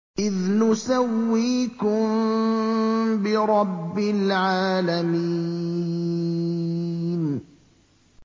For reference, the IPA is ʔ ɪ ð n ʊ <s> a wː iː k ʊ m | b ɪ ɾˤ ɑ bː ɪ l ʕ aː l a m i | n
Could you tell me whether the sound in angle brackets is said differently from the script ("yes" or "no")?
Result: no